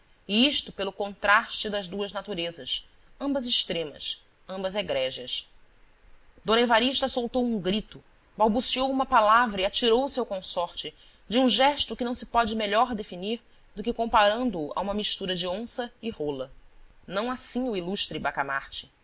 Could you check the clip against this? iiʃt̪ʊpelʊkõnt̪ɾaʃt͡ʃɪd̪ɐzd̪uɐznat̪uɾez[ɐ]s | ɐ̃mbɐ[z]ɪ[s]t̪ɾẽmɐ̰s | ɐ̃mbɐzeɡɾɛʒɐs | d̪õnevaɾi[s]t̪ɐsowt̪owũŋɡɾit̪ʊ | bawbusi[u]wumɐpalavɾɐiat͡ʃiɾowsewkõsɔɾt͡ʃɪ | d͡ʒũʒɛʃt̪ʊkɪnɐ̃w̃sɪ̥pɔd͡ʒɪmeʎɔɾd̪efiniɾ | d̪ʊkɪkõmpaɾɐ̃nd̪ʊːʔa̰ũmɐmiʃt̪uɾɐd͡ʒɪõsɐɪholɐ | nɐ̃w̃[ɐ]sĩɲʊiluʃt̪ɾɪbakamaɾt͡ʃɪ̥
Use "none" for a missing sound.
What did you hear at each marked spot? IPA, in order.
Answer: ɐ, z, ʃ, ʃ, o, a

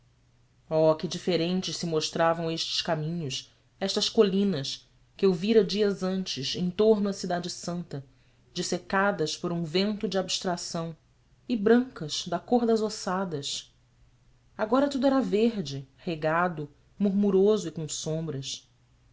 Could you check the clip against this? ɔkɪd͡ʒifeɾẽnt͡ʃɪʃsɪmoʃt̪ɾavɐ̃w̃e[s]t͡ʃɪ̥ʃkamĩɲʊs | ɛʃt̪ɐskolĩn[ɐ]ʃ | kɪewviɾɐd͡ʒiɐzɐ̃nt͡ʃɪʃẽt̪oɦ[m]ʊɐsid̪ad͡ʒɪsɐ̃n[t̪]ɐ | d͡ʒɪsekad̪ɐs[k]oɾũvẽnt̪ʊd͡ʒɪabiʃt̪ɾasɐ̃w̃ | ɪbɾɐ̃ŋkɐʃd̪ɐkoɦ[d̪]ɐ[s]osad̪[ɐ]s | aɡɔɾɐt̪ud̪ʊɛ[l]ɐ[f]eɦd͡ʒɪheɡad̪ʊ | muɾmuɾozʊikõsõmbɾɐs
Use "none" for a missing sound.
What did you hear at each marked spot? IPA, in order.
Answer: ʃ, ɐ, n, t̪, p, d̪, z, ɐ, ɾ, v

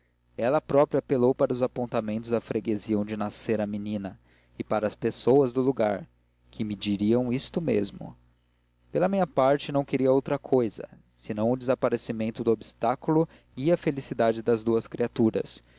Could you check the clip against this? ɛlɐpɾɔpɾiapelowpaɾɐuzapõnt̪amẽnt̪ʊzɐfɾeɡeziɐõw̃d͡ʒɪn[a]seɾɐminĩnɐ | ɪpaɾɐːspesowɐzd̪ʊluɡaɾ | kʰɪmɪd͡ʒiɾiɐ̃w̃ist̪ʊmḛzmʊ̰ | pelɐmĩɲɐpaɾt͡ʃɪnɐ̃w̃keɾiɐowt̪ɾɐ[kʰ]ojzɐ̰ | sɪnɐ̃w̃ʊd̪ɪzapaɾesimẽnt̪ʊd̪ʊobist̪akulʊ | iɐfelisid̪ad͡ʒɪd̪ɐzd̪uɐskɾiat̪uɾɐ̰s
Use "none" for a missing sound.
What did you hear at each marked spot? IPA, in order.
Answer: a, kʰ

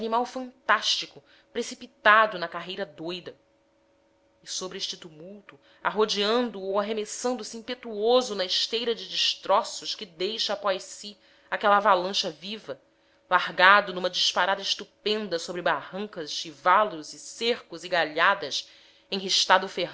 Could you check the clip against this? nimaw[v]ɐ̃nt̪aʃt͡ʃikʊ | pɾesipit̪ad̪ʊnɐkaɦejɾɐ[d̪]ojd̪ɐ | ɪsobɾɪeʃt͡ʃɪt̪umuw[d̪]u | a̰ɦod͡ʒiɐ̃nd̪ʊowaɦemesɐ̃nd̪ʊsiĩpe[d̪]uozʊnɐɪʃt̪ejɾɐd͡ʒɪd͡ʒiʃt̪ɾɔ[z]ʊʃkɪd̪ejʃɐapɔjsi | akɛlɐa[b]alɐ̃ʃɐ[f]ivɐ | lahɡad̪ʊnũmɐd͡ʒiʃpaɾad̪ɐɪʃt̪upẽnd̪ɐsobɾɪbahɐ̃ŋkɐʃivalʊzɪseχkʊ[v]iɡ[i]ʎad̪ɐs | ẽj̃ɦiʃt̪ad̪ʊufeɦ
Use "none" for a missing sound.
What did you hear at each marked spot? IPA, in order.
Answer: f, d̪, t̪, t̪, s, v, v, z, a

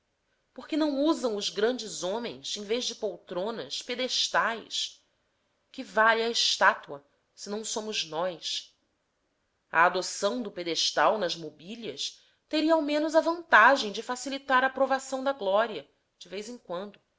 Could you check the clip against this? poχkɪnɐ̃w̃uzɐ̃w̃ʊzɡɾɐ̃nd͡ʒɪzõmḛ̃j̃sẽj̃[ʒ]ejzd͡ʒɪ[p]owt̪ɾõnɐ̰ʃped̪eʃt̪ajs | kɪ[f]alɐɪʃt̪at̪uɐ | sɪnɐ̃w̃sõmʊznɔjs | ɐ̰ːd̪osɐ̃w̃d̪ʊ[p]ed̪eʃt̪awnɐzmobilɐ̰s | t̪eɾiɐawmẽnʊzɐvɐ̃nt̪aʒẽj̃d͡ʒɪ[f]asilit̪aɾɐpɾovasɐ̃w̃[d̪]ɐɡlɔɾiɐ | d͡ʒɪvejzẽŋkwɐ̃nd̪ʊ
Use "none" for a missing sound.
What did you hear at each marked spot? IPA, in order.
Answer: v, p, v, p, f, d̪

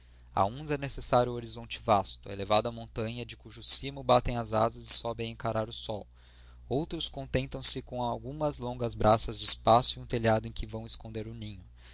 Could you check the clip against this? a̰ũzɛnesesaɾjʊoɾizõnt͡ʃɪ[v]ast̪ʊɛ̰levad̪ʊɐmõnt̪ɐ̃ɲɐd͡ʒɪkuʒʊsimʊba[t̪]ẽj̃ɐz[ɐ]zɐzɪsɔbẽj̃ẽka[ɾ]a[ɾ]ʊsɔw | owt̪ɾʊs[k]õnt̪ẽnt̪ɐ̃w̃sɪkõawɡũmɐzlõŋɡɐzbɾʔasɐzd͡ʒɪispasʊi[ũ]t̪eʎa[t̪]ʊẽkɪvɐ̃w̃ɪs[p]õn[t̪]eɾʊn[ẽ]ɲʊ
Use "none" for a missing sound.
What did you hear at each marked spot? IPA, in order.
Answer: v, t̪, a, ɾ, ɾ, k, ũ, d̪, k, d̪, ĩ

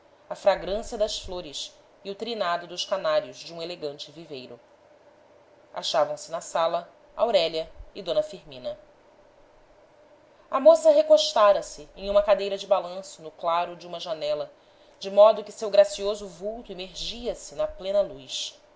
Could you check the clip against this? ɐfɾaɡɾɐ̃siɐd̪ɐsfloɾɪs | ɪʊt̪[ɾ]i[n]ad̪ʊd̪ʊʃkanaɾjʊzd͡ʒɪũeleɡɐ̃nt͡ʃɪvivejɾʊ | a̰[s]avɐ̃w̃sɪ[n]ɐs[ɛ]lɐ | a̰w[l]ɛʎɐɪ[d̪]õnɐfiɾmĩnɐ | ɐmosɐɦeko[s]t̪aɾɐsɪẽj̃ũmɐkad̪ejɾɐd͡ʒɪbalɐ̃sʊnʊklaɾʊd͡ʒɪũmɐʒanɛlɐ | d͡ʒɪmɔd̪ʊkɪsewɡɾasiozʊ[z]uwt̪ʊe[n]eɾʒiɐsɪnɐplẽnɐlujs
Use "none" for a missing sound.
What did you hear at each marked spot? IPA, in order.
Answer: ɾ, n, ʃ, n, a, ɾ, d̪, ʃ, v, m

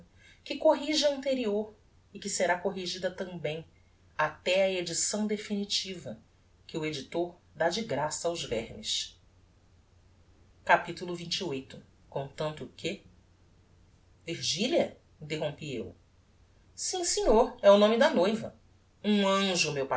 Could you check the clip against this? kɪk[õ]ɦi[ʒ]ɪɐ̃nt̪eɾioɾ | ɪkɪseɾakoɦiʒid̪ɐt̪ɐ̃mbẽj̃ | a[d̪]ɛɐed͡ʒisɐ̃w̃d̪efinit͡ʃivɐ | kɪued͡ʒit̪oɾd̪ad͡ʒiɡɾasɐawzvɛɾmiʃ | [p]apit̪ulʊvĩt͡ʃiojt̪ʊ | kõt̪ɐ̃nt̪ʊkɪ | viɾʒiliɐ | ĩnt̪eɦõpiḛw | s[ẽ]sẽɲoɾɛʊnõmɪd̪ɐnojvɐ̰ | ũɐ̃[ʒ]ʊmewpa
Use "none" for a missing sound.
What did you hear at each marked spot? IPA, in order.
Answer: o, ʒ, t̪, k, ĩ, ʒ

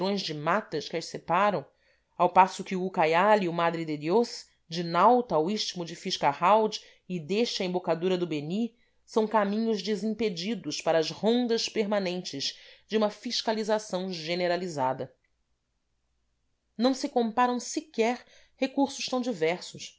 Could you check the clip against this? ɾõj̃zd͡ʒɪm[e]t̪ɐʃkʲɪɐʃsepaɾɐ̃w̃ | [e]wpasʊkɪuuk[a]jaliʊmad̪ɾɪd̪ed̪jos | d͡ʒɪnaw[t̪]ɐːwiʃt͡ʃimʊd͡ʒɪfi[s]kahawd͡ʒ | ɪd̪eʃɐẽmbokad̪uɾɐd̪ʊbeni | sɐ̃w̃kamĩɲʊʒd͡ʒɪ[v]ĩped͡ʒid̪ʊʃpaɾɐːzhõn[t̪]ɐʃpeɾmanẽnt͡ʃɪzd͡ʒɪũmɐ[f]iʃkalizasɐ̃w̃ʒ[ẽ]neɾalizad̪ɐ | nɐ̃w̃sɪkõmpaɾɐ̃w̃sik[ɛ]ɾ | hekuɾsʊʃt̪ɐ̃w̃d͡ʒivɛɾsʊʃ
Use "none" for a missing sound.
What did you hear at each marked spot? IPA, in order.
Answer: a, a, a, t̪, ʃ, z, d̪, f, e, ɛ

